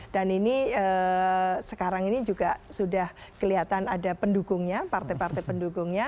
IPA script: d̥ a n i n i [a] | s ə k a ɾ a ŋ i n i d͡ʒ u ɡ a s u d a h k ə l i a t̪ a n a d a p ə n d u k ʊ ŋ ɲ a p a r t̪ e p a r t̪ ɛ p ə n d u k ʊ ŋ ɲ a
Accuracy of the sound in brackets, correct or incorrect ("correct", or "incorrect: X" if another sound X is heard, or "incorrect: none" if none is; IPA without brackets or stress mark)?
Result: incorrect: ə